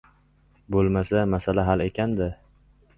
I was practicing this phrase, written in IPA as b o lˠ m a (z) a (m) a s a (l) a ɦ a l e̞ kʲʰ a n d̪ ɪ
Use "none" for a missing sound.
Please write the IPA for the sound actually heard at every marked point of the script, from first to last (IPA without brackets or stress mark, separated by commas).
s, m, l